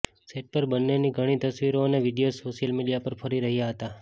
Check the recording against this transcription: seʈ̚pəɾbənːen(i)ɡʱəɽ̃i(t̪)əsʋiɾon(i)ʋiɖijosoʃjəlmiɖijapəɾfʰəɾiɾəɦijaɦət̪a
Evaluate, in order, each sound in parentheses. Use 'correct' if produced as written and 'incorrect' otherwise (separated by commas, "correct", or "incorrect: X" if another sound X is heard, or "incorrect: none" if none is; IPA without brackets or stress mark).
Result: correct, correct, incorrect: e